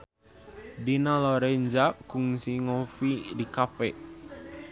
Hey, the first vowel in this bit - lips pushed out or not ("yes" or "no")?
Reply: no